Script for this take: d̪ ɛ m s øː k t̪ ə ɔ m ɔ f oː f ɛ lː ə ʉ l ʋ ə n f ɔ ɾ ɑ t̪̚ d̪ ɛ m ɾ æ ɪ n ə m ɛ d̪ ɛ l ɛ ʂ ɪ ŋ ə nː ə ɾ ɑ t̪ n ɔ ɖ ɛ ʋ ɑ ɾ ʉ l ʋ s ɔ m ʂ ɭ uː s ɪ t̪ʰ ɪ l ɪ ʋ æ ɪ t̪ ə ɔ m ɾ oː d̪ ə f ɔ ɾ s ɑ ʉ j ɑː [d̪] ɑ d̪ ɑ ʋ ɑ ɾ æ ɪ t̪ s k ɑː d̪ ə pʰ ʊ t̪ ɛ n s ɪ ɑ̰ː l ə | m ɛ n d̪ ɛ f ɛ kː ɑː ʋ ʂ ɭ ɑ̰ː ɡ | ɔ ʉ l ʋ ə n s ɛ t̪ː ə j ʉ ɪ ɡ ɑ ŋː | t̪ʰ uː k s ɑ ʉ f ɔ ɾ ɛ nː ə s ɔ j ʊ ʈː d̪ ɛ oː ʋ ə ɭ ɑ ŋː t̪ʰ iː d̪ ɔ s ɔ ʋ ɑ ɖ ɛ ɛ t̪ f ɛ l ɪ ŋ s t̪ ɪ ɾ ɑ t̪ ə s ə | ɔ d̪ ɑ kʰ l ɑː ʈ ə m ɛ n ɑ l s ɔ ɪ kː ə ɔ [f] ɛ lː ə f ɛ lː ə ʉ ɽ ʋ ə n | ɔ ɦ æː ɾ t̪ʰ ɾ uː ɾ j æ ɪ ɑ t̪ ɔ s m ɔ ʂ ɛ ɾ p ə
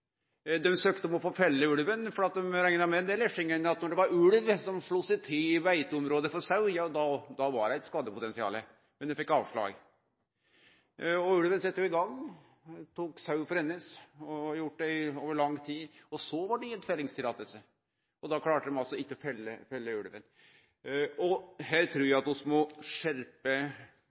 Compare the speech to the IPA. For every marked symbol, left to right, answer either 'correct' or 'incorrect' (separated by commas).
correct, correct